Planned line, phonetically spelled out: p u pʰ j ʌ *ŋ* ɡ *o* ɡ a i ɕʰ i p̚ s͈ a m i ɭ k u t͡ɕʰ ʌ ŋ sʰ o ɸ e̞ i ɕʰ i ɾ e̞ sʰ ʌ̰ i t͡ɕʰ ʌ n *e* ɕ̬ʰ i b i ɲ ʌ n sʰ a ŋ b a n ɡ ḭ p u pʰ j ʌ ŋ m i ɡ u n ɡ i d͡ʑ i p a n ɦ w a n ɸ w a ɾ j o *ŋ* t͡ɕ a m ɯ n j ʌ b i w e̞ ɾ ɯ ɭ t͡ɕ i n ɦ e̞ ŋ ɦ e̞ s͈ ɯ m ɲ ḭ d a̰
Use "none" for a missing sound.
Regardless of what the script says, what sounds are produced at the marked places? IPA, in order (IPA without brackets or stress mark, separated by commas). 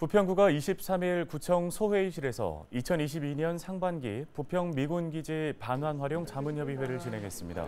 ŋ, u, i, ŋ